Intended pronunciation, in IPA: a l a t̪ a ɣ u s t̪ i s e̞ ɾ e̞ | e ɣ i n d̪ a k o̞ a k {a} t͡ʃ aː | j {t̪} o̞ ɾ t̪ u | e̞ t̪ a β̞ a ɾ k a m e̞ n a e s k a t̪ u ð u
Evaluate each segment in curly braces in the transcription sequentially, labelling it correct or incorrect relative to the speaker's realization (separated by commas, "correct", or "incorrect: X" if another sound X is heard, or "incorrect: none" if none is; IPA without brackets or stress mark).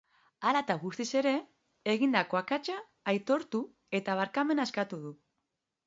correct, correct